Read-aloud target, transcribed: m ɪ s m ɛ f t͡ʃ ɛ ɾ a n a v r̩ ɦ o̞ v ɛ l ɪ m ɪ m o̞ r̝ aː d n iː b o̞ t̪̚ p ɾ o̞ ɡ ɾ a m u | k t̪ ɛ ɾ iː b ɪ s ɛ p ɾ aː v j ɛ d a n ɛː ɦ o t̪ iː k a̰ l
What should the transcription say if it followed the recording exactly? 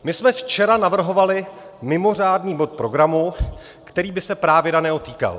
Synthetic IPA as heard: m ɪ s m ɛ f t͡ʃ ɛ ɾ a n a v r̩ ɦ o̞ v a l ɪ m ɪ m o̞ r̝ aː d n iː b o̞ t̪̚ p ɾ o̞ ɡ ɾ a m u | k t̪ ɛ ɾ iː b ɪ s ɛ p ɾ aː v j ɛ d a n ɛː ɦ o t̪ iː k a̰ l